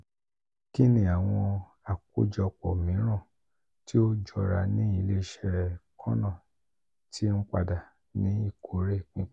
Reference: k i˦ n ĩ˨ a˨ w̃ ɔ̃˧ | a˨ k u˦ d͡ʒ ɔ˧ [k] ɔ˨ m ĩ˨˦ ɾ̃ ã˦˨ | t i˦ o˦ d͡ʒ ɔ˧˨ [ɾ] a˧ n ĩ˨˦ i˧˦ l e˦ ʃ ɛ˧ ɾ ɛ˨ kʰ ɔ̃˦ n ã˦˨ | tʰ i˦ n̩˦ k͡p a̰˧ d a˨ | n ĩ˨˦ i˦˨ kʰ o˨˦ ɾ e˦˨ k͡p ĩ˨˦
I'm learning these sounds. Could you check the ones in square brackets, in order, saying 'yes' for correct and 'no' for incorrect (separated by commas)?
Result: no, yes